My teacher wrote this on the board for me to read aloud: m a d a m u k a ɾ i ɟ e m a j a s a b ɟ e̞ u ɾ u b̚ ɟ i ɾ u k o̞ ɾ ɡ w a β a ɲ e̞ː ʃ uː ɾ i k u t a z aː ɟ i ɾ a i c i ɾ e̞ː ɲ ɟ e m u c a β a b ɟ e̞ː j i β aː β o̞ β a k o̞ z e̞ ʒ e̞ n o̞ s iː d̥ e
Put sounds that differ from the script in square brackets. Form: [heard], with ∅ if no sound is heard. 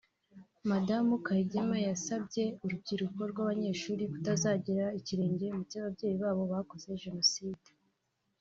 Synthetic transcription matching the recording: m a d a m u k a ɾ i ɟ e m a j a s a b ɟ e̞ u ɾ u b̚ ɟ i ɾ u k o̞ ɾ ɡ w a β a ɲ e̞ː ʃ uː ɾ i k u t a z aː ɟ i ɾ a i c i ɾ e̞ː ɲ ɟ e m u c a β a b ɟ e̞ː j i β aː β o̞ β a k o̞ z e̞ ʒ e̞ n o̞ s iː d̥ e

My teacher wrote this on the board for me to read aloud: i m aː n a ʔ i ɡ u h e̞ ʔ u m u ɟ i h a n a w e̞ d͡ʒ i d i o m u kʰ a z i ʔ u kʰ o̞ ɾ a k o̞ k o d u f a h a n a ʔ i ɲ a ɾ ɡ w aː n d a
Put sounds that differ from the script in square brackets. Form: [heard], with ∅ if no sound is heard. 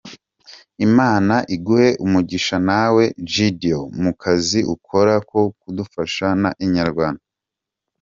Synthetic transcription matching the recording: i m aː n a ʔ i ɡ u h e̞ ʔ u m u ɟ i [ʃ] a n a w e̞ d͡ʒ i d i o m u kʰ a z i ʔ u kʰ o̞ ɾ a k o̞ k [u] d u f a [ʃ] a n a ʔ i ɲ a ɾ ɡ w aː n d a

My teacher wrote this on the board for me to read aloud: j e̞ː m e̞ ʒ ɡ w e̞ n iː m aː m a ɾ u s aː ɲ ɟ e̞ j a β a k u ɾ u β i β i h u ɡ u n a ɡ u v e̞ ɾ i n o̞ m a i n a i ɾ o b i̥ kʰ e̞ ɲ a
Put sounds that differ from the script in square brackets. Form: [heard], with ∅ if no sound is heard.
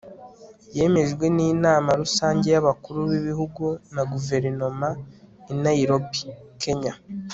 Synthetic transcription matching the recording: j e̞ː m e̞ ʒ ɡ w e̞ n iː [n] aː m a ɾ u s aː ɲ ɟ e̞ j a β a k u ɾ u β i β i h u ɡ u n a ɡ u v e̞ ɾ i n o̞ m a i n a i ɾ o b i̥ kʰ e̞ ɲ a

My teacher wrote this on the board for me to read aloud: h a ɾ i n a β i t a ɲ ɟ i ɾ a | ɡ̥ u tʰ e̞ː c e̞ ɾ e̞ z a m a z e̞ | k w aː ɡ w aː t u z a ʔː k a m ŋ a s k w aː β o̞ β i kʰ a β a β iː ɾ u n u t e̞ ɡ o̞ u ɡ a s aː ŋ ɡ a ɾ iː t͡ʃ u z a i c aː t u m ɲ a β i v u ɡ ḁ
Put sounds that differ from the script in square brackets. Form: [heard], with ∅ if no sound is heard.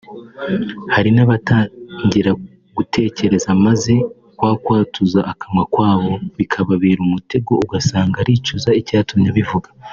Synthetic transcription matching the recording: h a ɾ i n a β [a] t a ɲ ɟ i ɾ a | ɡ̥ u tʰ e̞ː c e̞ ɾ e̞ z a m a z e̞ | k w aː [k] w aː t u z a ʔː k a m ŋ a [∅] k w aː β o̞ β i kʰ a β a β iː ɾ u [m] u t e̞ ɡ o̞ u ɡ a s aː ŋ ɡ a ɾ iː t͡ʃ u z a i c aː t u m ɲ a β i v u ɡ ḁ

